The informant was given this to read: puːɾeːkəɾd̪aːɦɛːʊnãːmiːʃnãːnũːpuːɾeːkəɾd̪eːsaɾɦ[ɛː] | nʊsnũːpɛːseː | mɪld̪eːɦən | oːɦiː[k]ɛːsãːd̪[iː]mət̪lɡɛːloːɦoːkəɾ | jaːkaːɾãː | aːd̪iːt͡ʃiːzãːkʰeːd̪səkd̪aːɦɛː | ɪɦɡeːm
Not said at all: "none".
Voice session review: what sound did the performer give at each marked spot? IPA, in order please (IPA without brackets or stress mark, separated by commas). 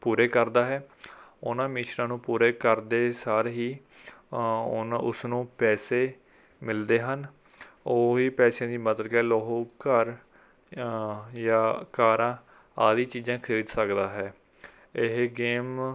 iː, p, iː